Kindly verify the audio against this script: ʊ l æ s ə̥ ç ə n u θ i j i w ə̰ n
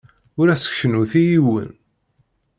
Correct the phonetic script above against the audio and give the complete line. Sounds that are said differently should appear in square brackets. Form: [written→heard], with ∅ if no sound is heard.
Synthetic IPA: ʊ [l→ɾ] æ s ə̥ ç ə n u θ i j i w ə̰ n